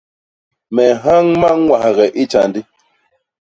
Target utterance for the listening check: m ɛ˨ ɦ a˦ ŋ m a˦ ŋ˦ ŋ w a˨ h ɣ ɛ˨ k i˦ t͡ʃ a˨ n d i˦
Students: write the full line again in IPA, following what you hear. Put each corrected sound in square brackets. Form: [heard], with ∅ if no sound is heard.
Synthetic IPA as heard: m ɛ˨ ɦ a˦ ŋ m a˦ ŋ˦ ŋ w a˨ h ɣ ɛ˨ [ʔ] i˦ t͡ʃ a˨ n d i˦